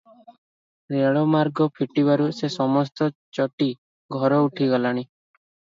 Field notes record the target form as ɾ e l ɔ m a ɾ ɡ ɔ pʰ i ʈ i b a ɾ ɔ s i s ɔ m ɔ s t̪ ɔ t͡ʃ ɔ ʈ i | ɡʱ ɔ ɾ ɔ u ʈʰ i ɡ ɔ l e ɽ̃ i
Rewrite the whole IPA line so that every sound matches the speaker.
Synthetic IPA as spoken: ɾ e ɭ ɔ m a ɾ ɡ ɔ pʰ i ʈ i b a ɾ u s e s ɔ m ɔ s t̪ ɔ t͡ʃ ɔ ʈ i | ɡʱ ɔ ɾ ɔ u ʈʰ i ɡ ɔ l a ɽ̃ i